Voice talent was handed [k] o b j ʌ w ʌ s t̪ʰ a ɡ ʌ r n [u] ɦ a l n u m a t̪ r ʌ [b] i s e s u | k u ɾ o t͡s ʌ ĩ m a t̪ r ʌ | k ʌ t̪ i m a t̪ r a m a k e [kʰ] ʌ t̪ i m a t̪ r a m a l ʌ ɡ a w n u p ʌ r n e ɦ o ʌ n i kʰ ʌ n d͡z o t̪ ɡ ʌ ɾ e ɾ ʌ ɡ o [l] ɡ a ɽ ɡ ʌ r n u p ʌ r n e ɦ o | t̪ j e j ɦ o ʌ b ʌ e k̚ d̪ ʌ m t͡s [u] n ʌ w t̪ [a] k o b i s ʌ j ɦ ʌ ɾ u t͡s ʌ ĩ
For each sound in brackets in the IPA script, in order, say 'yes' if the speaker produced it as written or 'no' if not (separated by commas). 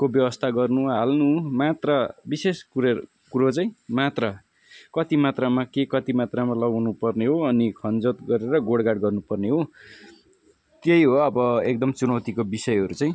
yes, yes, yes, no, no, yes, no